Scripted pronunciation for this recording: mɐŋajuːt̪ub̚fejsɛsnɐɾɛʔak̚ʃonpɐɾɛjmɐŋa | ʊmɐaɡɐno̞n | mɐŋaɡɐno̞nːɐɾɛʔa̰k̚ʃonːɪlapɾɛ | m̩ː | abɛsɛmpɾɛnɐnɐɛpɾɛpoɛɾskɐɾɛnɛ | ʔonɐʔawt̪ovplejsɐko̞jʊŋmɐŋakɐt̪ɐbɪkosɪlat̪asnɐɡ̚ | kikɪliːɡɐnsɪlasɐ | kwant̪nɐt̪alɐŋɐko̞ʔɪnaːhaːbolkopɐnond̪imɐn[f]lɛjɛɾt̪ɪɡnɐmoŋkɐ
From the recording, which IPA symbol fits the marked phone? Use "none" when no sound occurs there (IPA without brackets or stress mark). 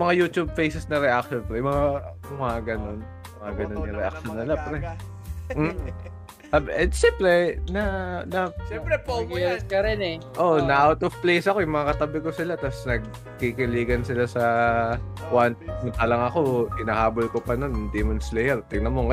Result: s